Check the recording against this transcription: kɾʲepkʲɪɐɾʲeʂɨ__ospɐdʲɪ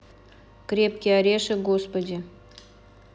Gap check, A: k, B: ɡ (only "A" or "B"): B